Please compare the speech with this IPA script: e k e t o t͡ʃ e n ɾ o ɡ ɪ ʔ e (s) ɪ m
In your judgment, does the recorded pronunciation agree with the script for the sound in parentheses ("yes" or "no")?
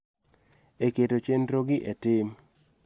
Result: no